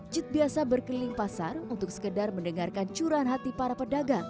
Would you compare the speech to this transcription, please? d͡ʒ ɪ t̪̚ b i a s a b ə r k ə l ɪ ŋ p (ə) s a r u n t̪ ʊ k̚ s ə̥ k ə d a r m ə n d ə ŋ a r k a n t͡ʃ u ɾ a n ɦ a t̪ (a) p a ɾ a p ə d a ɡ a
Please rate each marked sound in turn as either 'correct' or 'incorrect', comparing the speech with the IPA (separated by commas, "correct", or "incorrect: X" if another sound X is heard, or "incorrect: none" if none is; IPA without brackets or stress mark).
incorrect: a, incorrect: i